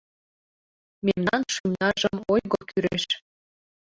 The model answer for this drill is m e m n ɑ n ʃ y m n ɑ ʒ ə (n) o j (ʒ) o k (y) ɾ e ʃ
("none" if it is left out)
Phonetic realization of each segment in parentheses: m, ɣ, y

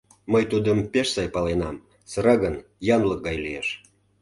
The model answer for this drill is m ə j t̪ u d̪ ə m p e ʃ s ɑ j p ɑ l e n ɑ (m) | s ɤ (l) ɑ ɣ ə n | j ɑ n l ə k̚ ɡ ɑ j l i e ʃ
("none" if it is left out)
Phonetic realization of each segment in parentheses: m, ɾ

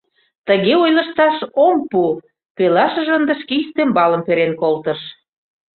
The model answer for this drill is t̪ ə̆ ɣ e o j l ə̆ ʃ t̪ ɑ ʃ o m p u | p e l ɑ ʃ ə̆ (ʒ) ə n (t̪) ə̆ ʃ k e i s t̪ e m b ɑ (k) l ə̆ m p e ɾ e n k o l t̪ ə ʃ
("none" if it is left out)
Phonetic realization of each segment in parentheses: ʒ, d̪, none

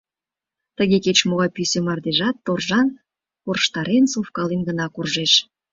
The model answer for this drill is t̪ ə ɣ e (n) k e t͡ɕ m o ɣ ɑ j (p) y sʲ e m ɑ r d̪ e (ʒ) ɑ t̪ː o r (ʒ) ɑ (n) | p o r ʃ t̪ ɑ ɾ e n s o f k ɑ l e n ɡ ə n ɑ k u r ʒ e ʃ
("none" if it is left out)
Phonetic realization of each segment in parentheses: none, p, ʒ, ʒ, n

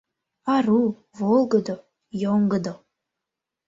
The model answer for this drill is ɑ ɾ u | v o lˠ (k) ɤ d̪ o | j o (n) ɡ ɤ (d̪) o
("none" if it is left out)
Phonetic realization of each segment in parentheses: ɡ, ŋ, d̪

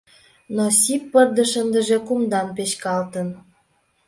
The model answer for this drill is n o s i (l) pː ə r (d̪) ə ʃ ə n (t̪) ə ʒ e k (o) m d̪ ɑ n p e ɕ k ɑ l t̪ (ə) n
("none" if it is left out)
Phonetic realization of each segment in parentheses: none, d̪, d̪, u, ə

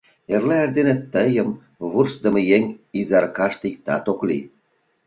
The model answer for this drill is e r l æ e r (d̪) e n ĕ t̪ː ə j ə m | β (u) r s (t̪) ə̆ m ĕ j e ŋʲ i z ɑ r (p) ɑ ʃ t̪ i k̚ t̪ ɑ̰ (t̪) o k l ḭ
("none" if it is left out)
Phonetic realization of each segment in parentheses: d̪, u, d̪, k, t̪

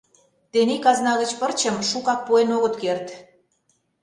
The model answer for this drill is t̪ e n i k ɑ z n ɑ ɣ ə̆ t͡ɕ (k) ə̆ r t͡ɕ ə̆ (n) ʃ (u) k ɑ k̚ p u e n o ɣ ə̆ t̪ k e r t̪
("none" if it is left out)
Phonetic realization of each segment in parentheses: p, m, u

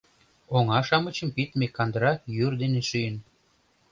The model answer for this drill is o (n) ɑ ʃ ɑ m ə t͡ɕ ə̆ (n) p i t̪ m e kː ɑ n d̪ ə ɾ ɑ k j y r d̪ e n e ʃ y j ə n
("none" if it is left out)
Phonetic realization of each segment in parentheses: ŋ, m

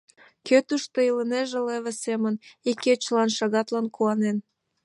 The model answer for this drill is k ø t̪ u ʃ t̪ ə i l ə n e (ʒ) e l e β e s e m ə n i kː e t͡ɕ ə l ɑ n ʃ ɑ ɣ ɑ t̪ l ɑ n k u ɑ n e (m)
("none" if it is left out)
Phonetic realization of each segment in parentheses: ʒ, n

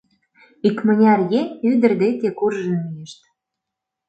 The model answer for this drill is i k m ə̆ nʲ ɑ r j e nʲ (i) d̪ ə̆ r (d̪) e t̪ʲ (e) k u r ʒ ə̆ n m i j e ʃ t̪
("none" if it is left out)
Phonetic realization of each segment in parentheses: y, d̪, e

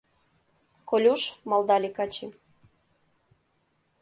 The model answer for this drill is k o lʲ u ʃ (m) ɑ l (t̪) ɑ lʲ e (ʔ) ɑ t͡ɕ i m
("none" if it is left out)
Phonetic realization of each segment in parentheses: m, d̪, k

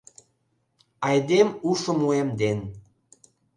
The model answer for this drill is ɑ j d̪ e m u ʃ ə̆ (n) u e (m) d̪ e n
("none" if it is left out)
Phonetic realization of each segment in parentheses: m, m

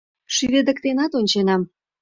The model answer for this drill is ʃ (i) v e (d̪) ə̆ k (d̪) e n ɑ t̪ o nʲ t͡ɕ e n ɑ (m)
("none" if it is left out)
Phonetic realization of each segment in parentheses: y, d̪, t̪, m

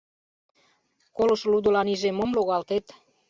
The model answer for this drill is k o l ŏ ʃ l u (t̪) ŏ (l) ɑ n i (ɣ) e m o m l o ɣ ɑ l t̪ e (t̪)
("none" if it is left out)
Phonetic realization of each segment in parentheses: d̪, l, ʒ, t̪

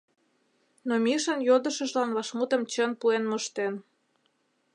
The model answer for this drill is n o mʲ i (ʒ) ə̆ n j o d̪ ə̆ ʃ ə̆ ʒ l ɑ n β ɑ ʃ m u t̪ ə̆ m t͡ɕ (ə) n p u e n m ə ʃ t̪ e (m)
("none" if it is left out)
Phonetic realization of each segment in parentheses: ʃ, ə, n

